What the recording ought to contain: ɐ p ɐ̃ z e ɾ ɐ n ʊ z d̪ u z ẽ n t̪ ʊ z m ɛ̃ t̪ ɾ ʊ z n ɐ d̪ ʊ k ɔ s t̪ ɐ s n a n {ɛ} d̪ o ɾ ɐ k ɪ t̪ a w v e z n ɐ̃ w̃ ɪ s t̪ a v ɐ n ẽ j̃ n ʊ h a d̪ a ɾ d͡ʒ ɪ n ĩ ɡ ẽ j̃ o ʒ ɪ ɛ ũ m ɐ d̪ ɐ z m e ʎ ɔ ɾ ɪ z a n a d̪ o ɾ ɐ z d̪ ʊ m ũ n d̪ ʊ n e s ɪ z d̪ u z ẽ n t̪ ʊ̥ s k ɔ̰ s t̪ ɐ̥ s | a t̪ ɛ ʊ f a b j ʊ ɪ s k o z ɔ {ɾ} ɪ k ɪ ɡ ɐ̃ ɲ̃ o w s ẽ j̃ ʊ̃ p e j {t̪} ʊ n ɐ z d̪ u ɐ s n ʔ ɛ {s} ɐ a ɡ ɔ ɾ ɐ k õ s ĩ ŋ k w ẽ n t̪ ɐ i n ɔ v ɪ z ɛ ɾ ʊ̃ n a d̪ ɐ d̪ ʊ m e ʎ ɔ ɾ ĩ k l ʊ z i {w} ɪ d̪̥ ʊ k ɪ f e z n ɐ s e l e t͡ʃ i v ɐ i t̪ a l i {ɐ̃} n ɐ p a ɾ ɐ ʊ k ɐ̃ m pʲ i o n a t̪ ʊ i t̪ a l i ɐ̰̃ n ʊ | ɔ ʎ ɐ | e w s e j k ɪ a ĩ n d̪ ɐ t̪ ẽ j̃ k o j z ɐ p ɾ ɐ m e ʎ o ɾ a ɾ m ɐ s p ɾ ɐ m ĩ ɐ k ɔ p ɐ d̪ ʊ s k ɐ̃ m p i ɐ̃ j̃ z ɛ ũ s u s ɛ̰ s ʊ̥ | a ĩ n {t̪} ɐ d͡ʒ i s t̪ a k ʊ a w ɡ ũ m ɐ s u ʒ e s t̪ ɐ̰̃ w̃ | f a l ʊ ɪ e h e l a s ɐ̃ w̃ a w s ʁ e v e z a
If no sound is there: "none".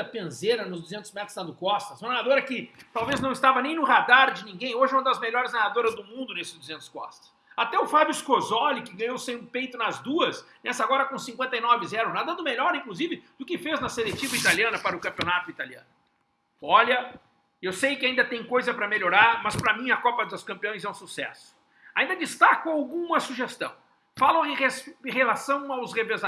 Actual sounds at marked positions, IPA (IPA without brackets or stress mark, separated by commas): a, l, t̪, s, v, ɐ̃, d̪